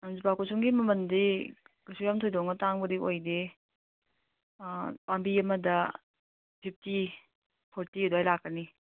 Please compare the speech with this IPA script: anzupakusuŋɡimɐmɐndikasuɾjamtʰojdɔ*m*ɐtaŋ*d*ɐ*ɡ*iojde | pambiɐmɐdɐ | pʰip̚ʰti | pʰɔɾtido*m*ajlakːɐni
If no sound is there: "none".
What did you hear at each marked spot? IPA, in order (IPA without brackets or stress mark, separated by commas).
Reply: ŋ, b, d, none